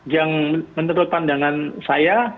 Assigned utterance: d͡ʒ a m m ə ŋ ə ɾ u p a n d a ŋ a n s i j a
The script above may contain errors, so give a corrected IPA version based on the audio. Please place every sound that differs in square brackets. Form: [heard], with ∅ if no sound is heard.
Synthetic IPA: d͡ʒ a [ŋ] m ə [n] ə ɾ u p a n d a ŋ a n s [a] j a